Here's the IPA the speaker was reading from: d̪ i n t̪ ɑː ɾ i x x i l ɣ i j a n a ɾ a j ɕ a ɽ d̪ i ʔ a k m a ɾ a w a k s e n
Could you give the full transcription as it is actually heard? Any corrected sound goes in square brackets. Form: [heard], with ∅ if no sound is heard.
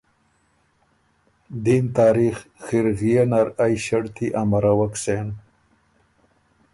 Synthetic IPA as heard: d̪ i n t̪ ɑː ɾ i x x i [ɾ] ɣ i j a n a ɾ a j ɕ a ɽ [t̪] i ʔ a [∅] m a ɾ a w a k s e n

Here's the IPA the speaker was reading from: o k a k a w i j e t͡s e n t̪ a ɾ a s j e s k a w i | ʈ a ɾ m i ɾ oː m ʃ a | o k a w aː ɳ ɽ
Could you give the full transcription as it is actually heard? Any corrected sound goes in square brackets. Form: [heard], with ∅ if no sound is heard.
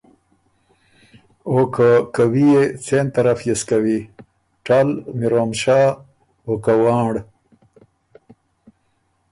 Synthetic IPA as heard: o k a k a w i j e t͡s e n t̪ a ɾ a [f] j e s k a w i | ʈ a [l] m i ɾ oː m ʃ a | o k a w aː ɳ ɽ

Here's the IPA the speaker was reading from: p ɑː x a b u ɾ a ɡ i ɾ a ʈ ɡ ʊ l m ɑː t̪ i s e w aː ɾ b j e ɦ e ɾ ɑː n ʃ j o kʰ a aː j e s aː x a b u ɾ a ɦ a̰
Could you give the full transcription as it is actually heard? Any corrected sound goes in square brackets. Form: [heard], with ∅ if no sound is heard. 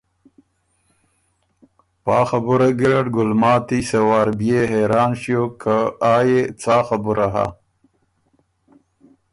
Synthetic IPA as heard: p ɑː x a b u ɾ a ɡ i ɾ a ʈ ɡ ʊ l m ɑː t̪ i s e w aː ɾ b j e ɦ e ɾ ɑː n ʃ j o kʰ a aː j e [t͡s] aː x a b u ɾ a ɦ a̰

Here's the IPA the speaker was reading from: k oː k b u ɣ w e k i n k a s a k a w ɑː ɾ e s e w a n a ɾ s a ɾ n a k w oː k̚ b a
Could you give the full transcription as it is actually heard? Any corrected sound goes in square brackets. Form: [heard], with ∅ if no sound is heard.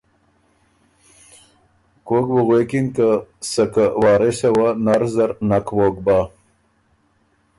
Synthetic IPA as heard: k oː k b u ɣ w e k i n k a s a k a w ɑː ɾ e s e w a n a ɾ [z] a ɾ n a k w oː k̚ b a

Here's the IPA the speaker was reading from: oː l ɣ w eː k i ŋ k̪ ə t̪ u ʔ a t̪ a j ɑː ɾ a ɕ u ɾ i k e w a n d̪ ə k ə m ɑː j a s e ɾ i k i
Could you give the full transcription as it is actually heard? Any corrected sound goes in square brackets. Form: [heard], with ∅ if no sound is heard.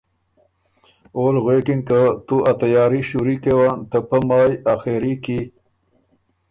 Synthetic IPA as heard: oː l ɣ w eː k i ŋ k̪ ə t̪ u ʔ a t̪ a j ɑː ɾ [i] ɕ u ɾ i k e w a n [t̪] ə [p] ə m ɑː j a [x] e ɾ i k i

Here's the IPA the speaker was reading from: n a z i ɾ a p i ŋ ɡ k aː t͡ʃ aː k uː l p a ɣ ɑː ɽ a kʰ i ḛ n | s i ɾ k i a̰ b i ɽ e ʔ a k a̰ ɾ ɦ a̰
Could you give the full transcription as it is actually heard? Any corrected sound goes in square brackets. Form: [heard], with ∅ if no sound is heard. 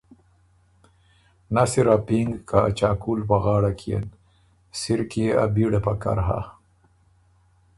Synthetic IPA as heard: n a [s] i ɾ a p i ŋ ɡ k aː t͡ʃ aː k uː l p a ɣ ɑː ɽ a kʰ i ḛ n | s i ɾ k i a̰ b i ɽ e [p] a k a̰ ɾ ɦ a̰

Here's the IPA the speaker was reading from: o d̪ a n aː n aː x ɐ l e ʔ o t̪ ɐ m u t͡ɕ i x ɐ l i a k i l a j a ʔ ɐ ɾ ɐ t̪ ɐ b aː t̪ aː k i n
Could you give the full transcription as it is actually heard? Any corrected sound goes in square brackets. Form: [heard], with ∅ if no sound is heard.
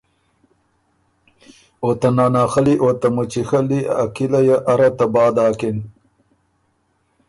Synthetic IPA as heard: o [t̪] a n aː n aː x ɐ l [i] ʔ o t̪ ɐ m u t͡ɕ i x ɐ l i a k i l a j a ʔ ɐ ɾ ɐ t̪ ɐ b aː [d̪] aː k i n

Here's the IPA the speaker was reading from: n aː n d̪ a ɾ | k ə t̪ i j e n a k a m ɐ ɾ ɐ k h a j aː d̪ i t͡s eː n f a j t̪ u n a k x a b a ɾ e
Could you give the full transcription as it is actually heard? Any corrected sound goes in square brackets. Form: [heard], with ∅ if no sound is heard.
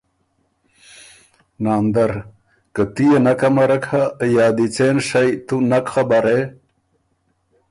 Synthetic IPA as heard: n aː n d̪ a ɾ | k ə t̪ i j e n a k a m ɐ ɾ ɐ k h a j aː d̪ i t͡s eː n [ʂ] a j t̪ u n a k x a b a ɾ e

